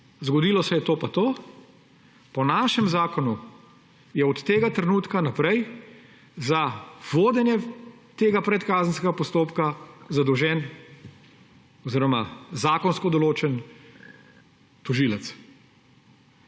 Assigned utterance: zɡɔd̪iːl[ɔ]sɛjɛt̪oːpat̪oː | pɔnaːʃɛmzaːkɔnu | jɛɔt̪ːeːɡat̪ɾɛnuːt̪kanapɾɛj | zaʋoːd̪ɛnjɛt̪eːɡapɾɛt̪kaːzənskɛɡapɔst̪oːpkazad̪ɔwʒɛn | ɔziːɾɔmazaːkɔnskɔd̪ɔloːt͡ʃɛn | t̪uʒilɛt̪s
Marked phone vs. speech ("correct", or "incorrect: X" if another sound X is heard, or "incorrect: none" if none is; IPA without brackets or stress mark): correct